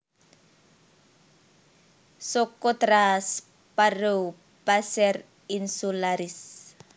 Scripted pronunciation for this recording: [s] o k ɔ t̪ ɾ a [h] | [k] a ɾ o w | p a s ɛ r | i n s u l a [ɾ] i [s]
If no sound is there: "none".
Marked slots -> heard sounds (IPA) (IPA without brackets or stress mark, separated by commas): s, s, p, ɾ, s